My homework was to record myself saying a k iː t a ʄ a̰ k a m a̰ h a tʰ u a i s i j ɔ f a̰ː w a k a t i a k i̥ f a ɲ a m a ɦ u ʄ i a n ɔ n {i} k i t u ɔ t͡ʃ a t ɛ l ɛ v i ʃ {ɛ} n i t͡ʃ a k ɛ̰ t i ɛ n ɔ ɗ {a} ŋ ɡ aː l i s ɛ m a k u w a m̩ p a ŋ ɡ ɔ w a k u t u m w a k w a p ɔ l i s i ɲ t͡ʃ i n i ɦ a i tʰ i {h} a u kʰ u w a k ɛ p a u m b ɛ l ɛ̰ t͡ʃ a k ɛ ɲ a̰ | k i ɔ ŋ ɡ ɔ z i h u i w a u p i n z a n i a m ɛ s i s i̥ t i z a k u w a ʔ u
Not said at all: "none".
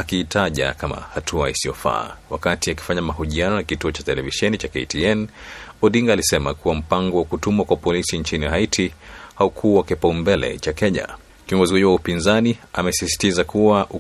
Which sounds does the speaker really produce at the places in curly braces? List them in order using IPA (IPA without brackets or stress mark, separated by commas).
a, ɛ, i, h